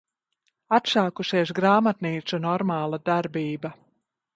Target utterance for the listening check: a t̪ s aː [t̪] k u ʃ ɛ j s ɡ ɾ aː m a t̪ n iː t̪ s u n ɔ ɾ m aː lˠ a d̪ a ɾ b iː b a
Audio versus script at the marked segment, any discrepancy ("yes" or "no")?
yes